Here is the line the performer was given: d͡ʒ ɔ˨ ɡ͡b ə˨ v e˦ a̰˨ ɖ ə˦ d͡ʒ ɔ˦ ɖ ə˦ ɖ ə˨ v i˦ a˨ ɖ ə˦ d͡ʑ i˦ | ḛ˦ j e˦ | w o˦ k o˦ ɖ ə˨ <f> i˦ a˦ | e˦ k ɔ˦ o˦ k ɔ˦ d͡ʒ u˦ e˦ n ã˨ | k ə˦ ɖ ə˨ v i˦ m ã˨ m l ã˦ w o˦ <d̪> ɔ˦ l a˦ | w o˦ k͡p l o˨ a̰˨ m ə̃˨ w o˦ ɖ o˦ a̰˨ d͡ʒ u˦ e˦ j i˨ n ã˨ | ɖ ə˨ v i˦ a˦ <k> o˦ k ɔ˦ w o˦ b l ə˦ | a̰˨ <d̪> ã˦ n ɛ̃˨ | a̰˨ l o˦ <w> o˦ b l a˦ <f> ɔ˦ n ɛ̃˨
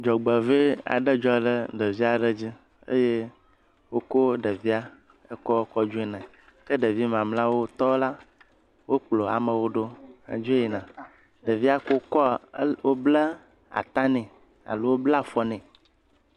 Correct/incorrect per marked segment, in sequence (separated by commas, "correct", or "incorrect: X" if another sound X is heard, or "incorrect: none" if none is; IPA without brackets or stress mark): incorrect: v, incorrect: t̪, correct, incorrect: t̪, correct, correct